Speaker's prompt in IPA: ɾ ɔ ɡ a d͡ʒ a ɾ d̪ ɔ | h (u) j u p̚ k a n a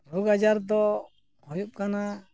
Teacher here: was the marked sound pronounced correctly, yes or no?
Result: no